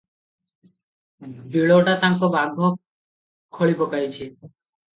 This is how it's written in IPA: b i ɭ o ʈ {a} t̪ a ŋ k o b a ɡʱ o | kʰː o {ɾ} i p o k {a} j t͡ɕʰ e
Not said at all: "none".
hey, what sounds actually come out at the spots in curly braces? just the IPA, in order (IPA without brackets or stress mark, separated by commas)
a, ɭ, a